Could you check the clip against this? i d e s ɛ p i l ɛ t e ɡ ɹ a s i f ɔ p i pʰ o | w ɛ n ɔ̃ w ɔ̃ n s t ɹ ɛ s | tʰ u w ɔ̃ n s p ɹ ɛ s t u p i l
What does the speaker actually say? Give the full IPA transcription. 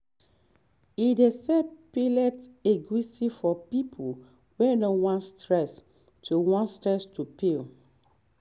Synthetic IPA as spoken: i d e s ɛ p i l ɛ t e ɡ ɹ i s i f ɔ p i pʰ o | w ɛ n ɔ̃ w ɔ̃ n s t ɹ ɛ s | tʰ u w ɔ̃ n s t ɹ ɛ s t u p i l

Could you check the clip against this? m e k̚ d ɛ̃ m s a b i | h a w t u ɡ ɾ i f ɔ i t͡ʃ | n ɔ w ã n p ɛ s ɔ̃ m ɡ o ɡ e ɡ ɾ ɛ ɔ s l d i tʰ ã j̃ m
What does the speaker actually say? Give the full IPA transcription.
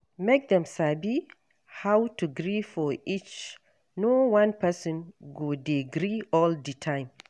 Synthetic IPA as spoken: m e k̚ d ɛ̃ m s a b i | h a w t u ɡ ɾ i f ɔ i t͡ʃ | n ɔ w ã n p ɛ s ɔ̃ n ɡ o d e ɡ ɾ i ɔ l d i tʰ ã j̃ m

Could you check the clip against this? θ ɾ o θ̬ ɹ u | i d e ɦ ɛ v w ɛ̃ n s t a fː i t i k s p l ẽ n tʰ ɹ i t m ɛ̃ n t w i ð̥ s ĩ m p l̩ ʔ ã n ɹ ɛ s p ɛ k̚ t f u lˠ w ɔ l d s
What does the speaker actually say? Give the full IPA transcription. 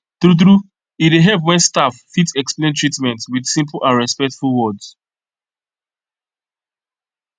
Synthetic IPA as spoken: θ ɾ u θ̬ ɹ u | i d e ɦ ɛ v w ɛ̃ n s t a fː i t ɛ k s p l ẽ n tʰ ɹ i t m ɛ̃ n t w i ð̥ s ĩ m p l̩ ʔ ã n ɹ ɛ s p ɛ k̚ t f u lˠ w ɔ d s

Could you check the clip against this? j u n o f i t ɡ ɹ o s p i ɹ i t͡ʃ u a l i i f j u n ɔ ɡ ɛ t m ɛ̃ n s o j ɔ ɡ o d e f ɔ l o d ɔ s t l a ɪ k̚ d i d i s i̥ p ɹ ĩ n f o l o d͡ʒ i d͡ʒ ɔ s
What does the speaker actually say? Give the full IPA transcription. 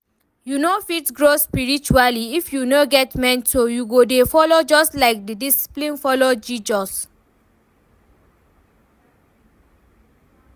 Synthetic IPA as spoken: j u n o f i t ɡ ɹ o s p i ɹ i t͡ʃ u a l i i f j u n o ɡ ɛ t m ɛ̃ n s o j u ɡ o d e f ɔ l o d͡ʒ ɔ s t l a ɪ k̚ d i d i s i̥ p l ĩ n f ɔ l o d͡ʒ i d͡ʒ ɔ s

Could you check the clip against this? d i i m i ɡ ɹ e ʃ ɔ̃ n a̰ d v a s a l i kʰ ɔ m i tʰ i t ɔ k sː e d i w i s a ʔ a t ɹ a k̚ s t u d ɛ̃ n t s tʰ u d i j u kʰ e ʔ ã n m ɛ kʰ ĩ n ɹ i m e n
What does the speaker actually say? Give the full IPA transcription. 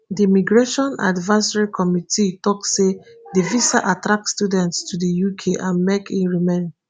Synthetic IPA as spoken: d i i m i ɡ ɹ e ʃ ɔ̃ n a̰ d v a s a ɹ i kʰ ɔ m i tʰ i t ɔ k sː e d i v i s a ʔ a t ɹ a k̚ s t u d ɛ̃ n t s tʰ u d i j u kʰ e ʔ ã n m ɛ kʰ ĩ n ɹ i m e n

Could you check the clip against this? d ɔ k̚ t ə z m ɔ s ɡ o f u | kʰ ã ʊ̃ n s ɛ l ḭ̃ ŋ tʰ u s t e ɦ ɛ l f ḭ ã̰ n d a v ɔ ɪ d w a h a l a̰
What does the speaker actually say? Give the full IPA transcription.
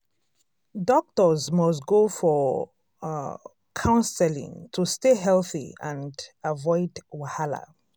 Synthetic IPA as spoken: d ɔ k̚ t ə z m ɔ s ɡ o f ɔ | kʰ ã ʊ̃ n s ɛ l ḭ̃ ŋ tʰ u s t e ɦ ɛ l θ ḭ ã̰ n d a v ɔ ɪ d w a h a l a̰

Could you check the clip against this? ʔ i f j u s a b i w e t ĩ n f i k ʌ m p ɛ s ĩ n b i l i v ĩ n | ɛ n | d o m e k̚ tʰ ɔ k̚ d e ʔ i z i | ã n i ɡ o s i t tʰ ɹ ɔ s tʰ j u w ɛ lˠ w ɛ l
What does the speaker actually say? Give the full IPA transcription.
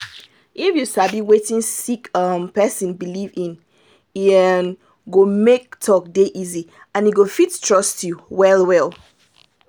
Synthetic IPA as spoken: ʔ i f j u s a b i w e t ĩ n s i k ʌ m p ɛ s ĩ n b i l i v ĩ n | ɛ n | ɡ o m e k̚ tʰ ɔ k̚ d e ʔ i z i | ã n i ɡ o f i t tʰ ɹ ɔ s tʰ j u w ɛ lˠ w ɛ l

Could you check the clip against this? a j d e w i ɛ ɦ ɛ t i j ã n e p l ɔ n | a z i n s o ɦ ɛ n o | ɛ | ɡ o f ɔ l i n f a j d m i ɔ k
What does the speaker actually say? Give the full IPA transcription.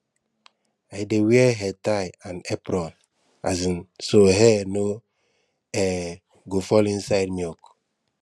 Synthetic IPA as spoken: a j d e w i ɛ ɦ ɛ t a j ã n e p ɾ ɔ n | a z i n s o ɦ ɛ n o | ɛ | ɡ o f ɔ l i n s a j d m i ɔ k

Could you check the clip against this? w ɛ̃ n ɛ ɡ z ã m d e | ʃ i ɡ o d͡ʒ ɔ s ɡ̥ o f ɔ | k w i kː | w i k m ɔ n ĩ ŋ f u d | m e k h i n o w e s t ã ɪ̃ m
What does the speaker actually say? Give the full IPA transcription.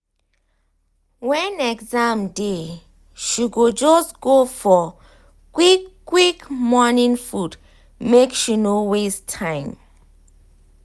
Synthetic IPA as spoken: w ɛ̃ n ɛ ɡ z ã m d e | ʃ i ɡ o d͡ʒ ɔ s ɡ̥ o f ɔ | k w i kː | w i k m ɔ n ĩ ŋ f u d | m e k ʃ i n o w e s tʰ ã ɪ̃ m

